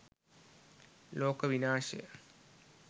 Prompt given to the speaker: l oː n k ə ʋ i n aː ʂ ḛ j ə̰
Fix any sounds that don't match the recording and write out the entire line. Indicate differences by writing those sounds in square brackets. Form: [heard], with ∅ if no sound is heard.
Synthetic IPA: l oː [∅] k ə ʋ i n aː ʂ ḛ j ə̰